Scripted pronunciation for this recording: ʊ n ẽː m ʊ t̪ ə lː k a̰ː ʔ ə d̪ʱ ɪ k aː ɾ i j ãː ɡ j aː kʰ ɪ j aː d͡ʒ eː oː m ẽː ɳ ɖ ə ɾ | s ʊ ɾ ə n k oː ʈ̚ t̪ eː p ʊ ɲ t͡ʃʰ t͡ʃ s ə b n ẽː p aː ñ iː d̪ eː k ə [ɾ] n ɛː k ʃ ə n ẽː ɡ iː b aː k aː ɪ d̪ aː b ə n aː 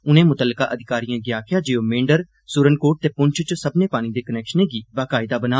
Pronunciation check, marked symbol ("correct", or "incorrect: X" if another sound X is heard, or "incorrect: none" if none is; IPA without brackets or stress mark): incorrect: none